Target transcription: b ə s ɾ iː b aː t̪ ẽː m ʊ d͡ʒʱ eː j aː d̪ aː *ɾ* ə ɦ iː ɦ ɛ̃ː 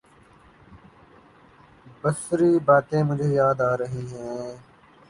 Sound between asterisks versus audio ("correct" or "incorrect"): correct